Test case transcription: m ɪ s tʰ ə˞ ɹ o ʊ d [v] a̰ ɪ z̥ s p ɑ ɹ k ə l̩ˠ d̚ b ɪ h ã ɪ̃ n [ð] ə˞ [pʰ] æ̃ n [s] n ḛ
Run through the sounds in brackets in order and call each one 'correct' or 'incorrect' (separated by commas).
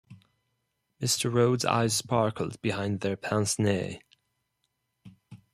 incorrect, correct, correct, correct